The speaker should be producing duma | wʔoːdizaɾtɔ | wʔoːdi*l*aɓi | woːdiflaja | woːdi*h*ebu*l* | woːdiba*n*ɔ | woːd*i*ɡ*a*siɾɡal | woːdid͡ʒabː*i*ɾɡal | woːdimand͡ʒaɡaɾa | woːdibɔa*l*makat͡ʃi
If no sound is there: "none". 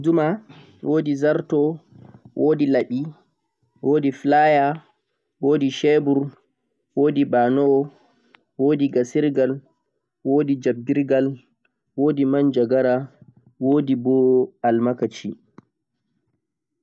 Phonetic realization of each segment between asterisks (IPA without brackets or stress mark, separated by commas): l, ʃ, ɾ, n, i, a, i, l